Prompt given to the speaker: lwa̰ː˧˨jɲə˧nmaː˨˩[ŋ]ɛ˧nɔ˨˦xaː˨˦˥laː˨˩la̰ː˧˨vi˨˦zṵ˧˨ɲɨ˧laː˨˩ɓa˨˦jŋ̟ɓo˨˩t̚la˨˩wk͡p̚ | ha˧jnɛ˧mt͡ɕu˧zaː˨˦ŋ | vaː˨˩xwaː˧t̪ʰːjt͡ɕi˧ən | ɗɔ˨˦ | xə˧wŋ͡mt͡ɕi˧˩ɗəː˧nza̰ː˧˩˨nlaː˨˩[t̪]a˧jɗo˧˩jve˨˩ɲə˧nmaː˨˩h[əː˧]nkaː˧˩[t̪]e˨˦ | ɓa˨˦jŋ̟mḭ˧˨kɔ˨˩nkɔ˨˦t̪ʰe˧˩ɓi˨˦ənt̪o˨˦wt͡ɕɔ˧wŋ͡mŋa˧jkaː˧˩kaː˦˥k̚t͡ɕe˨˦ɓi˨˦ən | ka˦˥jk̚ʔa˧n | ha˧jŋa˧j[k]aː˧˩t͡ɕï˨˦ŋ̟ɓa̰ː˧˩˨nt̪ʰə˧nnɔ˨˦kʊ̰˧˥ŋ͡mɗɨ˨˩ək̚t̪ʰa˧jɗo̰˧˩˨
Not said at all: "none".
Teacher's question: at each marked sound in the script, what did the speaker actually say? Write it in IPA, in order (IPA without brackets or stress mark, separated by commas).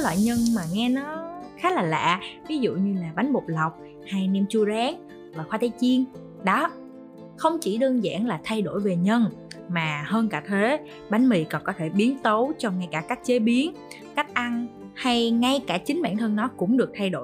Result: ŋ, t̪ʰ, əː˧, t̪ʰ, k